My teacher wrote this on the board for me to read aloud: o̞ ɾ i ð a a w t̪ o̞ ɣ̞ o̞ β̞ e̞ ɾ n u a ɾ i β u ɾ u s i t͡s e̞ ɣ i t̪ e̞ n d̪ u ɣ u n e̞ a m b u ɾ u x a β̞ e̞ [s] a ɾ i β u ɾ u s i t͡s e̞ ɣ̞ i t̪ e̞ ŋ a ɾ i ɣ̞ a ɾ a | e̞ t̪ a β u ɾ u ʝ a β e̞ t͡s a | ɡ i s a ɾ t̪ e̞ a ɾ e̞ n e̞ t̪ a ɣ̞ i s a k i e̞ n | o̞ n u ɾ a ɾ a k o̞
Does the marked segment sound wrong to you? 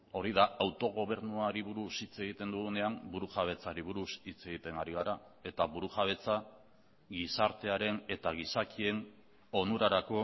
yes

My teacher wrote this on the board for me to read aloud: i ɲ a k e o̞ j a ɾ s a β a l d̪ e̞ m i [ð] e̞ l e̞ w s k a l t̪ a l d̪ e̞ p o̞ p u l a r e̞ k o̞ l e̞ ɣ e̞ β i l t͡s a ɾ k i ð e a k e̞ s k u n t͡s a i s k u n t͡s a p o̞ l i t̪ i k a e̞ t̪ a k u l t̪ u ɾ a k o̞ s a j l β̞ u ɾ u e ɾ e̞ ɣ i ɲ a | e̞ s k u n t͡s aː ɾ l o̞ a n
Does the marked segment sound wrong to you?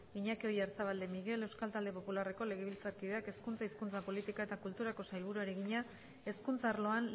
yes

